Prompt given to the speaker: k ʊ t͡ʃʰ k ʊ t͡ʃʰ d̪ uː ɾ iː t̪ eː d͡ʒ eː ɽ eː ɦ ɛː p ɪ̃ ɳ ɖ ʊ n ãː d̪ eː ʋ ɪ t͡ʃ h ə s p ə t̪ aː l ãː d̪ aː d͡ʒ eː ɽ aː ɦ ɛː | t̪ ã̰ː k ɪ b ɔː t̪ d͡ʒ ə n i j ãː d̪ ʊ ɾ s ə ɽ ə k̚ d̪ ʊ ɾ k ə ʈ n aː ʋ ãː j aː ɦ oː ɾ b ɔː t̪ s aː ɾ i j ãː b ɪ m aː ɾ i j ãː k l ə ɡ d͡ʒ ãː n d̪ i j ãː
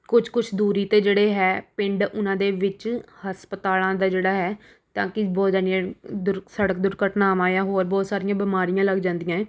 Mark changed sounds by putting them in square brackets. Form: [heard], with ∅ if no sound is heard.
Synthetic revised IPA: k ʊ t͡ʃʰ k ʊ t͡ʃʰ d̪ uː ɾ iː t̪ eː d͡ʒ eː ɽ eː ɦ ɛː p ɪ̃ ɳ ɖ ʊ n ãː d̪ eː ʋ ɪ t͡ʃ h ə s p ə t̪ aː l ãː d̪ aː d͡ʒ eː ɽ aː ɦ ɛː | t̪ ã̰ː k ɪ b ɔː t̪ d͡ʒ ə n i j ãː d̪ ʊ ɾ s ə ɽ ə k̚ d̪ ʊ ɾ k ə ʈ n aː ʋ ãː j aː ɦ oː ɾ b ɔː t̪ s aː ɾ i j ãː b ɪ m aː ɾ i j ãː [∅] l ə ɡ d͡ʒ ãː n d̪ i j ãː